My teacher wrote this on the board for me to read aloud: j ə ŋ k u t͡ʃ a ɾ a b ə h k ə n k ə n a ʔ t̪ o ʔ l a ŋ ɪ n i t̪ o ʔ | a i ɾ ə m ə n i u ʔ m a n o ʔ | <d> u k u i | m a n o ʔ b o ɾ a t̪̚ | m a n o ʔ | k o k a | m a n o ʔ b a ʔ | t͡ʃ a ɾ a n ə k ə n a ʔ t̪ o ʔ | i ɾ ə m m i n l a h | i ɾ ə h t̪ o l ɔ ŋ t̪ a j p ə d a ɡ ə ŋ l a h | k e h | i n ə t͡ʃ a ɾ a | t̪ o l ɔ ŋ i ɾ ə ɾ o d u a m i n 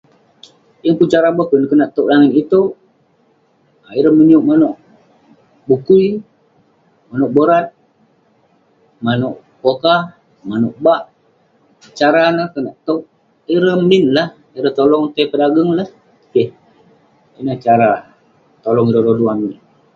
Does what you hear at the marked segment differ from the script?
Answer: yes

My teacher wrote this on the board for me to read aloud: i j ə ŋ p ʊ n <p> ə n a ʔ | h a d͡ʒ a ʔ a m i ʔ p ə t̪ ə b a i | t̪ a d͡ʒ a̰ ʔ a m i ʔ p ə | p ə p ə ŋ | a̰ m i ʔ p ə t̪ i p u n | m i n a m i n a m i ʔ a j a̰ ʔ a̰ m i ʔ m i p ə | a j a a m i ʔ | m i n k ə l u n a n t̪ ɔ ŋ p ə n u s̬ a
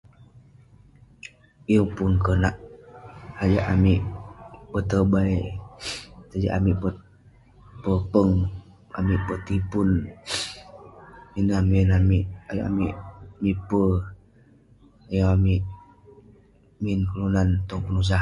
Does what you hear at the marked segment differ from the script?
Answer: yes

